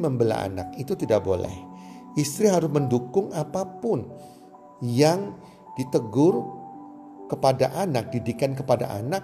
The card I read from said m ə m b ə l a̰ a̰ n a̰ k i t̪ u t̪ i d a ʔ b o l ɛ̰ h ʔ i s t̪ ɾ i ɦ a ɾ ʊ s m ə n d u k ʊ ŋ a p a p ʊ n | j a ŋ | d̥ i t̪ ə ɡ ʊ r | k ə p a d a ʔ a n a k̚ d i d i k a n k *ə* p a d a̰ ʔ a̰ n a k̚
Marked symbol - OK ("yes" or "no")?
yes